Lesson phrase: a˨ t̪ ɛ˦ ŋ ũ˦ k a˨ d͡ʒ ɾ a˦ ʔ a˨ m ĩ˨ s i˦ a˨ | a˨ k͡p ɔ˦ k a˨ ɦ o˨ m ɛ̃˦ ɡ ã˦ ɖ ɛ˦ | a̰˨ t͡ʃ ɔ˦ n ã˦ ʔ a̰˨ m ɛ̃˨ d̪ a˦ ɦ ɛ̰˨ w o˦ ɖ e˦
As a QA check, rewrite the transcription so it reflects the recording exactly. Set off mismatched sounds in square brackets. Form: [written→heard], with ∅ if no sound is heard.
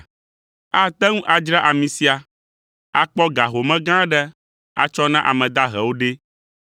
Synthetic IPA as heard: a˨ t̪ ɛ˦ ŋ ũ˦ [k→ʔ] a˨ d͡ʒ ɾ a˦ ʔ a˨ m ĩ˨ s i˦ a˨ | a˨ k͡p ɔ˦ [k→ɡ] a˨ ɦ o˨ m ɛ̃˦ ɡ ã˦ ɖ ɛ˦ | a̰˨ t͡ʃ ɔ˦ n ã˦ ʔ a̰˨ m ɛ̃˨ d̪ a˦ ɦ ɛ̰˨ w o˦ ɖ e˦